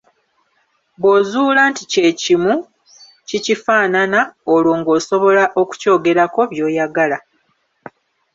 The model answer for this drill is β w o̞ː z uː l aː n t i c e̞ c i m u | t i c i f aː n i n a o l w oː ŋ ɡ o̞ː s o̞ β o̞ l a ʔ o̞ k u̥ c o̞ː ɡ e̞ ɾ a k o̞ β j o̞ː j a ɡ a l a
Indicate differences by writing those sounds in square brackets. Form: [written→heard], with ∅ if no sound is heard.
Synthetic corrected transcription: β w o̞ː z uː l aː n t i c e̞ c i m u | [t→c] i c i f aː n [i→a] n a o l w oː ŋ ɡ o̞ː s o̞ β o̞ l a ʔ o̞ k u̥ c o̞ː ɡ e̞ ɾ a k o̞ β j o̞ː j a ɡ a l a

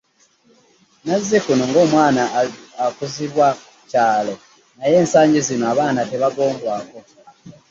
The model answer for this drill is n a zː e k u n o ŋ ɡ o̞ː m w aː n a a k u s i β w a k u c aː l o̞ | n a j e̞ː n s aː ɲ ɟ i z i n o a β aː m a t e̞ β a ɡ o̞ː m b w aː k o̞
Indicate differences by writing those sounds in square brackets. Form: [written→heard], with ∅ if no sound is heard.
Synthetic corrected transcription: n a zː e k u n o ŋ ɡ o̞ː m w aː n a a k u [s→z] i β w a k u c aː l o̞ | n a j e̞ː n s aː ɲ ɟ i z i n o a β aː [m→n] a t e̞ β a ɡ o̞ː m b w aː k o̞

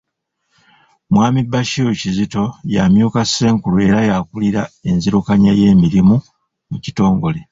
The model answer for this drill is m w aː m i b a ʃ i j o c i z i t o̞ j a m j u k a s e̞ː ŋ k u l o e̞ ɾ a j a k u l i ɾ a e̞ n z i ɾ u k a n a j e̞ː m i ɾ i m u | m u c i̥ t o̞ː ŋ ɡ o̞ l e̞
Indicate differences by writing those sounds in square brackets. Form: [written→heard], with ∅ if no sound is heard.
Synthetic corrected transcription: m w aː m i b a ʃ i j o c i z i t o̞ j a m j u k a s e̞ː ŋ k u l [o→u] e̞ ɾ a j a k u l i ɾ a e̞ n z i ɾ u k a [n→ɲ] a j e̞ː m i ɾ i m u | m u c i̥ t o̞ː ŋ ɡ o̞ l e̞

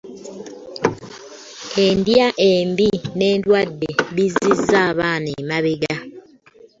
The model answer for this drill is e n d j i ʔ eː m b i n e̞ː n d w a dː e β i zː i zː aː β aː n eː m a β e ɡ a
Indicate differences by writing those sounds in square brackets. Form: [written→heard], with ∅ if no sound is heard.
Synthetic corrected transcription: e n d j [i→a] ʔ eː m b i n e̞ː n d w a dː e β i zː i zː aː β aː n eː m a β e ɡ a

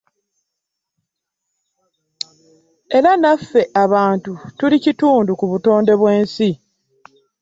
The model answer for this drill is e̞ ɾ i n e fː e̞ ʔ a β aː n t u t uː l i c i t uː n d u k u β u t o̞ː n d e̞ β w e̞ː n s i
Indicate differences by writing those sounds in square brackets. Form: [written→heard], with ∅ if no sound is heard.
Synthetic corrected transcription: e̞ ɾ [i→a] n [e→a] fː e̞ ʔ a β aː n t u t [uː→u] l i c i t uː n d u k u β u t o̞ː n d e̞ β w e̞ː n s i

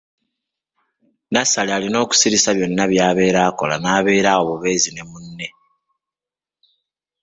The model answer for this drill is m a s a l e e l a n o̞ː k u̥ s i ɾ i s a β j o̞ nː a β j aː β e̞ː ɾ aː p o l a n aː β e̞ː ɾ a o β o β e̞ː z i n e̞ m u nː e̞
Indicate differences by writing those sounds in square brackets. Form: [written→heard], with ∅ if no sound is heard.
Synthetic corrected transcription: [m→n] a s a l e [e→a] l [a→i] n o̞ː k u̥ s i ɾ i s a β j o̞ nː a β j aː β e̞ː ɾ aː [p→k] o l a n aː β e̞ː ɾ a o β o β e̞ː z i n e̞ m u nː e̞

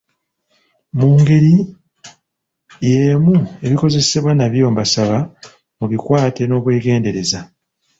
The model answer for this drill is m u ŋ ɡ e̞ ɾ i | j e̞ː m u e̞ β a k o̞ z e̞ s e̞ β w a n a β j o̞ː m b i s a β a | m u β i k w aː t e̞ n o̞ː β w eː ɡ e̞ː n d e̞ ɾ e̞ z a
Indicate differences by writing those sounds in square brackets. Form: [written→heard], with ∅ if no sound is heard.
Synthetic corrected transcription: m [u→uː] ŋ ɡ e̞ ɾ i | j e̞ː m u e̞ β [a→i] k o̞ z e̞ s e̞ β w a n a β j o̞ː m b [i→a] s a β a | m u β i k w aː t e̞ n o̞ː β w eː ɡ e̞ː n d e̞ ɾ e̞ z a

